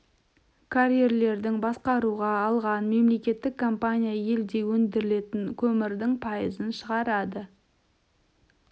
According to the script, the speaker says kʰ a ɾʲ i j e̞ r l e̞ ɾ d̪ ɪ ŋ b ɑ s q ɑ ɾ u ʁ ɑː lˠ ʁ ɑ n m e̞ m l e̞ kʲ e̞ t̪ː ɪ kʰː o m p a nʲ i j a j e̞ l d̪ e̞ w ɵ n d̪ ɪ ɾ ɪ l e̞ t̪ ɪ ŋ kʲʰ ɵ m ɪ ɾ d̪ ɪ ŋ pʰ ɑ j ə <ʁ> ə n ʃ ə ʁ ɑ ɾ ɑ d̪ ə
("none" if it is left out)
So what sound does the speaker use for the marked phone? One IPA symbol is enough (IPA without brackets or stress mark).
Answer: z